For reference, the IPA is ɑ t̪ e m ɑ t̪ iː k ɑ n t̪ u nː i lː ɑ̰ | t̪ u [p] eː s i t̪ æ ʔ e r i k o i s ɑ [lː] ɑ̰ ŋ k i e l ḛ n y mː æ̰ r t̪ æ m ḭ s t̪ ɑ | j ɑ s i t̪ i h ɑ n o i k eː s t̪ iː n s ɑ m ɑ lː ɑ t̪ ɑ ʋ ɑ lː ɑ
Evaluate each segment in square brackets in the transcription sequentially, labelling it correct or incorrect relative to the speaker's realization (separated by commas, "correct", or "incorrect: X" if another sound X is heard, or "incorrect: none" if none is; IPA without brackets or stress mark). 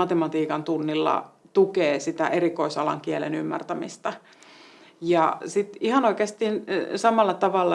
incorrect: k, incorrect: l